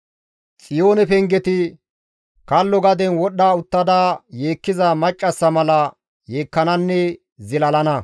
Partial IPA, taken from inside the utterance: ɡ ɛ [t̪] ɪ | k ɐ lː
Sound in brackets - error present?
no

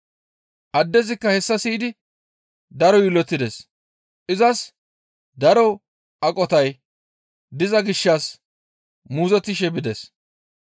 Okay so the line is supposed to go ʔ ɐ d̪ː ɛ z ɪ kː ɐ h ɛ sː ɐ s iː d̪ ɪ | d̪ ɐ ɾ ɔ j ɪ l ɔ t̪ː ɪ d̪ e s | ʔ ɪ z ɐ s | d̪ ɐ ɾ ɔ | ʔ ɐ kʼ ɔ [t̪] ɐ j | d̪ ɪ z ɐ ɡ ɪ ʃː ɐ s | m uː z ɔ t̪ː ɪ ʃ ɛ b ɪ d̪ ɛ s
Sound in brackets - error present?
no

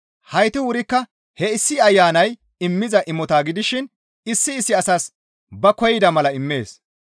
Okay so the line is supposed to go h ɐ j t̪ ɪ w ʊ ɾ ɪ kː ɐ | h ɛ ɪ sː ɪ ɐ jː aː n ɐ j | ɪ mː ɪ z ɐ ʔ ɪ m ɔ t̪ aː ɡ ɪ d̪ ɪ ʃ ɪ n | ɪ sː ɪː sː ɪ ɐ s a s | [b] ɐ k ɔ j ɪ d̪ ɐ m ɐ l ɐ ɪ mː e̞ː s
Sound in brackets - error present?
no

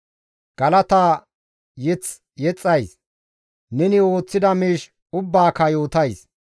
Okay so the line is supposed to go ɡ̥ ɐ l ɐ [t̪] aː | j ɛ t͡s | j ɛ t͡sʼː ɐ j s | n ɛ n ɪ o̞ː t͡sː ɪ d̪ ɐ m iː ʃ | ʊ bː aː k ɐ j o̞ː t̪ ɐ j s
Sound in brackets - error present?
no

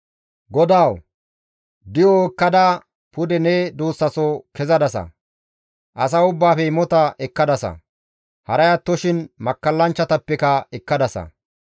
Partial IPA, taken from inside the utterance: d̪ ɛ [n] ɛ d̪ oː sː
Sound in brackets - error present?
no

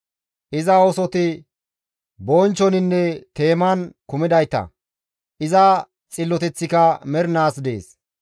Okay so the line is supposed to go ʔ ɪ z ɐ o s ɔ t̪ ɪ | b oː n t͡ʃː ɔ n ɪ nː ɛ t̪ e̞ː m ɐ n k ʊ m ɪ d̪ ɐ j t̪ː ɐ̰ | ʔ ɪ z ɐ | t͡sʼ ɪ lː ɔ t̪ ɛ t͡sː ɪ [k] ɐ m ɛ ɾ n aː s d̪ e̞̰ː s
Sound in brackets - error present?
no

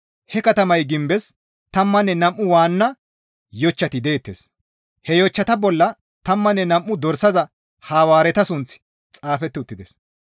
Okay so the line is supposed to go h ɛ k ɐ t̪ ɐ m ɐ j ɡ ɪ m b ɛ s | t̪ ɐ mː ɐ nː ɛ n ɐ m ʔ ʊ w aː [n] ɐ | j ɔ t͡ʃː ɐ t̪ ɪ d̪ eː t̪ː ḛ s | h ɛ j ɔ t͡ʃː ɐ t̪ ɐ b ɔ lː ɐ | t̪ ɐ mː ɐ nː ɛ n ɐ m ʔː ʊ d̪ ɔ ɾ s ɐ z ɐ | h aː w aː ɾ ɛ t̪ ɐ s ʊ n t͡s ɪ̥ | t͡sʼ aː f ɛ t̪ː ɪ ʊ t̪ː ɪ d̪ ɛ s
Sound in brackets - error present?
yes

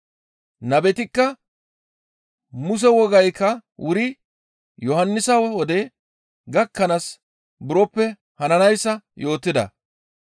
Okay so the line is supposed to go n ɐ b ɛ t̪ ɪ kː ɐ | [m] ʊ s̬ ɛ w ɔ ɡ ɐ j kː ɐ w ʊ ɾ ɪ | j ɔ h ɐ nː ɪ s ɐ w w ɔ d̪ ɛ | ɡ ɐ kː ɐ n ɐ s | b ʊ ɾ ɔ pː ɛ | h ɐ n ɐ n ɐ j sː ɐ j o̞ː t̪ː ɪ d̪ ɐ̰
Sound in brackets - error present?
no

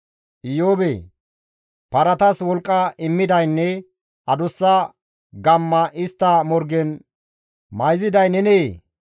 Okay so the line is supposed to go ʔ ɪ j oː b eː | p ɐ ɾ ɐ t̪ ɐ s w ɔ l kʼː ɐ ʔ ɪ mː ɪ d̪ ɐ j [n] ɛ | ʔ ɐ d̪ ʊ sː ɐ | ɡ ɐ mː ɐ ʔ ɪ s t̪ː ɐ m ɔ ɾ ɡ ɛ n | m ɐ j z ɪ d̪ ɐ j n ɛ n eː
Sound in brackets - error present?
yes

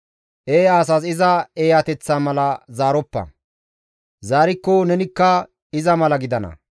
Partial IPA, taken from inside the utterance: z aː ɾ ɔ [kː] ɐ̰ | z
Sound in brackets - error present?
yes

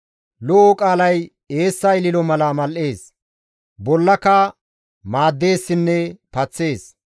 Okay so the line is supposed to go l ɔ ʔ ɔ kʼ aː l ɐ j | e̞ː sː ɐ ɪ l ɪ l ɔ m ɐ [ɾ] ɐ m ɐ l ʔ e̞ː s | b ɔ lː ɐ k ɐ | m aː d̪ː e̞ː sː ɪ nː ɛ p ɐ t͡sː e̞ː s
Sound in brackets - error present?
yes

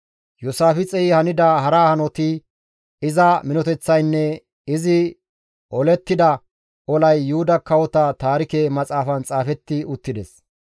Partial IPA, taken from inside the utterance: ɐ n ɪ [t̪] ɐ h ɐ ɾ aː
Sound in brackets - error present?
yes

